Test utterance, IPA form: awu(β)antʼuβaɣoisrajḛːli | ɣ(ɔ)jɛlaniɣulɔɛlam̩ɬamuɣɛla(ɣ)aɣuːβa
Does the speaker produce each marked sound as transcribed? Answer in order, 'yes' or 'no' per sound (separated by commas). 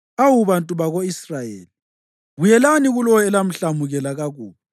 yes, no, yes